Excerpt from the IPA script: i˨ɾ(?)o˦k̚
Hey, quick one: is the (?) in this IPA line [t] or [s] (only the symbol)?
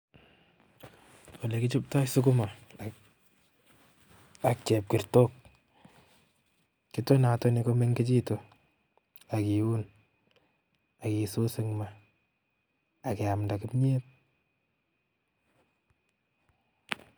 t